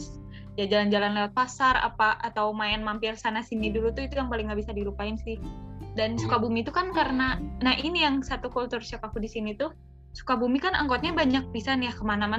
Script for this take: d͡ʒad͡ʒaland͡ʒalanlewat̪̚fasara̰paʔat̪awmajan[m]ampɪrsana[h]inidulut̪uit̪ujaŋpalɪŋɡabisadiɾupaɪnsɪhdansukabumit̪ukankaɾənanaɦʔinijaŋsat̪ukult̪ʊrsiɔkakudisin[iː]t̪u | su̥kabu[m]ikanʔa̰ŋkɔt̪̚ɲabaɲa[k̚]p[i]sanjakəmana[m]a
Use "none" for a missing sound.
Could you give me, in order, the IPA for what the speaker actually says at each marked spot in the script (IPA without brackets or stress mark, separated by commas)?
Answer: m, s, i, m, k̚, i, m